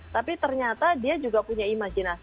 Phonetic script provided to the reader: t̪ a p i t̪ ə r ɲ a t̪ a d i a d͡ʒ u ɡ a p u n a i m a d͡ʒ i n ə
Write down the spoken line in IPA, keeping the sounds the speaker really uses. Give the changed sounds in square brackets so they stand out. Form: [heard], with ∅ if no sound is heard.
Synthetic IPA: t̪ a p i t̪ ə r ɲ a t̪ a d i a d͡ʒ u ɡ a p u [ɲ] a i m a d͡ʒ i n [a]